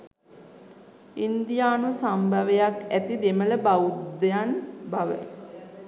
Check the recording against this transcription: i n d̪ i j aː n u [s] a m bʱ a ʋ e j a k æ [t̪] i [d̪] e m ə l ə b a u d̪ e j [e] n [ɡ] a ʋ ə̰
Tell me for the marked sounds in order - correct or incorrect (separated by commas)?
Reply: correct, correct, correct, incorrect, incorrect